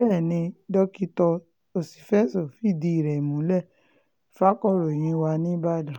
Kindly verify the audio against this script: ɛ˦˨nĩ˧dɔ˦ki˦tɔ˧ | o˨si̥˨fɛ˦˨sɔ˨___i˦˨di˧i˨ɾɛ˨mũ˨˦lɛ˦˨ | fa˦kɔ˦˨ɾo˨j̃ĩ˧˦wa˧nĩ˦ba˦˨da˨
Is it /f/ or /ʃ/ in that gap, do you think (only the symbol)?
f